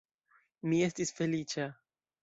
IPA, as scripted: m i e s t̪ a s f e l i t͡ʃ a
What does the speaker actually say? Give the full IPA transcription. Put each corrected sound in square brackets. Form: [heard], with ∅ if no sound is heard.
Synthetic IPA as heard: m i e s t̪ [i] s f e l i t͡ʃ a